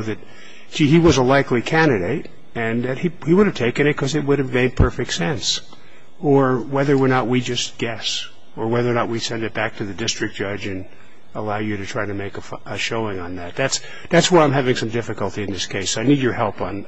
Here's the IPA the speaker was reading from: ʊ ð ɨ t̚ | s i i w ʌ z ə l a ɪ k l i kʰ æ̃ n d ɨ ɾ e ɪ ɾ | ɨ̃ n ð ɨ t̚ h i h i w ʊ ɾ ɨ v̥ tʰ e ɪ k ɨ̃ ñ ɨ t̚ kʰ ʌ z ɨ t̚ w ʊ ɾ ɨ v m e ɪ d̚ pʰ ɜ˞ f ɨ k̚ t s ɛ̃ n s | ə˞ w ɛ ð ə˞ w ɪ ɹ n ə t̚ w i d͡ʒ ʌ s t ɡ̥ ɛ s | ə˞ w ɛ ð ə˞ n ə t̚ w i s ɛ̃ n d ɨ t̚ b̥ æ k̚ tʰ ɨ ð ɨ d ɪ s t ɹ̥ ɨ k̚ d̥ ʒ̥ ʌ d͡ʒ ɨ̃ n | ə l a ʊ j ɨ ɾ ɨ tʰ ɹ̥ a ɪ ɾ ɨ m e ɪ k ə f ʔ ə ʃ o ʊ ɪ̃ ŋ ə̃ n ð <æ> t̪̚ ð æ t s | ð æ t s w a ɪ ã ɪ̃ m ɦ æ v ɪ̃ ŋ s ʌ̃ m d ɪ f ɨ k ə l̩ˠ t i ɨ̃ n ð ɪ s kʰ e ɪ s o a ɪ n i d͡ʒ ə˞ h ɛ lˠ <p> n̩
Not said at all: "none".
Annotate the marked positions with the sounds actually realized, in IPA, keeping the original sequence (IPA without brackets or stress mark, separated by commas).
æ, p